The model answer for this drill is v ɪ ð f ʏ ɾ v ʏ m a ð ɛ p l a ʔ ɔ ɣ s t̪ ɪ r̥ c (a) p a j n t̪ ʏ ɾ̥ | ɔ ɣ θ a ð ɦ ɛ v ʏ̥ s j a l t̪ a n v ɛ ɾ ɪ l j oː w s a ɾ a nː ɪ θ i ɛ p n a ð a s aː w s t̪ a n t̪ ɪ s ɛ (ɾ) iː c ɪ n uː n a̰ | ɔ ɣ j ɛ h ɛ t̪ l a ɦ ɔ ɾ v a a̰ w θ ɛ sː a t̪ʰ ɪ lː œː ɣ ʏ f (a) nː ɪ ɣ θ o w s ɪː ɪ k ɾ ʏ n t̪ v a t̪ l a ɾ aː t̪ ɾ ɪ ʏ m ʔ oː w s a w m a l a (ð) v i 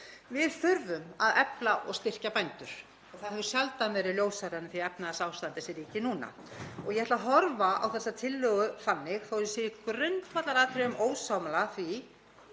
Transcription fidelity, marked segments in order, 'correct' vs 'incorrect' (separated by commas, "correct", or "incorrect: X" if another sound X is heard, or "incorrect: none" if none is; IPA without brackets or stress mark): correct, correct, correct, incorrect: θ